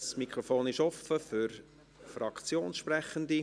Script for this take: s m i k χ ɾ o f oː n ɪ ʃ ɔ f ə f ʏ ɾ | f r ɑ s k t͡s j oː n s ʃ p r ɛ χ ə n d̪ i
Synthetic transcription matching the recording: s m i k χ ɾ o f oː n ɪ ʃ ɔ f ə f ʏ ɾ | f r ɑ k t͡s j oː n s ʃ p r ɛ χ ə n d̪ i